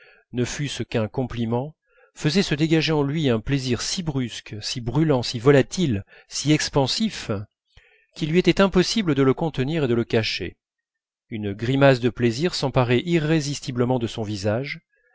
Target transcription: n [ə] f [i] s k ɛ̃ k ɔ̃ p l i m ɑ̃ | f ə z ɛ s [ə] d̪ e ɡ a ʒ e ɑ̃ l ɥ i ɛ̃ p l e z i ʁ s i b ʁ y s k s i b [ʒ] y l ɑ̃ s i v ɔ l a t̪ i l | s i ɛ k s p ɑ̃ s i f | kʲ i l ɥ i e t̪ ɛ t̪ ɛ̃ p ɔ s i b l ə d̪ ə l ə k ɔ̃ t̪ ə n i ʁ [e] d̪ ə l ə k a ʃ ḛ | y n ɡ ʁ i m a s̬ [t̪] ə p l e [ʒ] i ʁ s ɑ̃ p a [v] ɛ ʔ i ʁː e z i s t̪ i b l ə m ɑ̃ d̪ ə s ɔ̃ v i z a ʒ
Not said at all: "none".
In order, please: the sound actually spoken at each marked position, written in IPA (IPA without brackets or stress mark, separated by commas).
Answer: ə, y, ə, ʁ, e, d̪, z, ʁ